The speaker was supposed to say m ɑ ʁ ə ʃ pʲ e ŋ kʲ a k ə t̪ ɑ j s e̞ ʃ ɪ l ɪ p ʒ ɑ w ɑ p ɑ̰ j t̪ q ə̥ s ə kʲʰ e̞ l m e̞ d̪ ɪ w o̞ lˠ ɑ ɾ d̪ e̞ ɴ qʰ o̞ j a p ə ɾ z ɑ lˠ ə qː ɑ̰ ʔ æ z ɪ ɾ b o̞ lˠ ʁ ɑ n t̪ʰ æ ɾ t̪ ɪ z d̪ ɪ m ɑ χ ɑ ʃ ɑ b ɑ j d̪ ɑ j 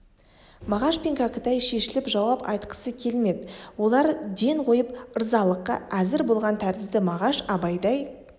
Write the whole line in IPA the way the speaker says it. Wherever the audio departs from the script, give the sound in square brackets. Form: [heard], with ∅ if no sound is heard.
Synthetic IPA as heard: m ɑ ʁ [ɑ] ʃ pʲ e ŋ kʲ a k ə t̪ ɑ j [ʃ] e̞ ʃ ɪ l ɪ p ʒ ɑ w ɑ p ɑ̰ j t̪ q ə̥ s ə kʲʰ e̞ l m e̞ d̪ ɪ w o̞ lˠ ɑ ɾ d̪ e̞ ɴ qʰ o̞ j [ə] p ə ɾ z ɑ lˠ ə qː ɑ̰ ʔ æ z ɪ ɾ b o̞ lˠ ʁ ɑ n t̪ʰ æ ɾ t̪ ɪ z d̪ ɪ m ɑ [ʁ] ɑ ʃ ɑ b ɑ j d̪ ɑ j